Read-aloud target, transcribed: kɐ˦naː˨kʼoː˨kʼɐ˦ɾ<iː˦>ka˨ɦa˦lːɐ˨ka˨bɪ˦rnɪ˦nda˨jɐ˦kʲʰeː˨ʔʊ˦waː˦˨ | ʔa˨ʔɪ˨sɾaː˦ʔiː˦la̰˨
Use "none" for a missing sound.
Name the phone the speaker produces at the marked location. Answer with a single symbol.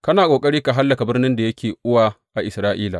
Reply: iː˦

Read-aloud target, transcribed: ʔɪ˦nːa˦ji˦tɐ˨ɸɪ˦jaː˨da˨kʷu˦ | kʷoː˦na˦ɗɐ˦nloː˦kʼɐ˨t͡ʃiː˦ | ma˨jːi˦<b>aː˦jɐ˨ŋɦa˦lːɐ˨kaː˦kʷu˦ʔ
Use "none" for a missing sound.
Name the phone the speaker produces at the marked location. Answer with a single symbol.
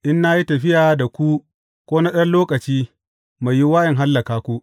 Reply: w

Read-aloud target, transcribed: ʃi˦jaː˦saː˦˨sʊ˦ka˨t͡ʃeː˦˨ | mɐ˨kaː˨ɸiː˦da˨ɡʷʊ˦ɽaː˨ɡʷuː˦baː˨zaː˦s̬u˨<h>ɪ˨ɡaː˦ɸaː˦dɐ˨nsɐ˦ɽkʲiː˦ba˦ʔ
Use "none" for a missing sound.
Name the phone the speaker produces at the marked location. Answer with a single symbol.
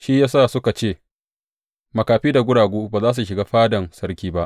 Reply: ʃ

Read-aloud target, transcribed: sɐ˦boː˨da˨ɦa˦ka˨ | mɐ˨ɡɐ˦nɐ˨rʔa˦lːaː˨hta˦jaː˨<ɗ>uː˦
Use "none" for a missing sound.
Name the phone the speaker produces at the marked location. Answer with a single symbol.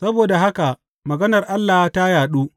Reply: ɗ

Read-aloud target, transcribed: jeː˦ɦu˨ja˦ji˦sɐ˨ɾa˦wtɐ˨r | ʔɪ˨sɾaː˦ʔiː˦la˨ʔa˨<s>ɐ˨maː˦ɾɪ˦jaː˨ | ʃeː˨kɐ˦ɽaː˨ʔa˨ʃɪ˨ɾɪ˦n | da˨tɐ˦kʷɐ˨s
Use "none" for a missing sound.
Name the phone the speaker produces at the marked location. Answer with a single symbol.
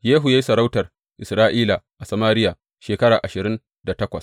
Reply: s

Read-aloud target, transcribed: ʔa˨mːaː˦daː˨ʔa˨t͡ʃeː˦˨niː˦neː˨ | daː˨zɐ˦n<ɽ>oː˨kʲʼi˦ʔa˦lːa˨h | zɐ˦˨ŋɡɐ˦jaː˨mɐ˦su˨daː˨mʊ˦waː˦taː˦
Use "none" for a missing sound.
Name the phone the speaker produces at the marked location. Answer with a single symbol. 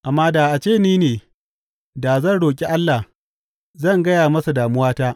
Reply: ɽ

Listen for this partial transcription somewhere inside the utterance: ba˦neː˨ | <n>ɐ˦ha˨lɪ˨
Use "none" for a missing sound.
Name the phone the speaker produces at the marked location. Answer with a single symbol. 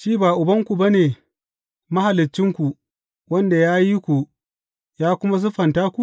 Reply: m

